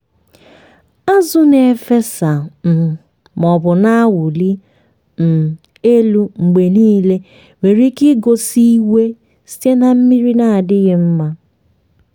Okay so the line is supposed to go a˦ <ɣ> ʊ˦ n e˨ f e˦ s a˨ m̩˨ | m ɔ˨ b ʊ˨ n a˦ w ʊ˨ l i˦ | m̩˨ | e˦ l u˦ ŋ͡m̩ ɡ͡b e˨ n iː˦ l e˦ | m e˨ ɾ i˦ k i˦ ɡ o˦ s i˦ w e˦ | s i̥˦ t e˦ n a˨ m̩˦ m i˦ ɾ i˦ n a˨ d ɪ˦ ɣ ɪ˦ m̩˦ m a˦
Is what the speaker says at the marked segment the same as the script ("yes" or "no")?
no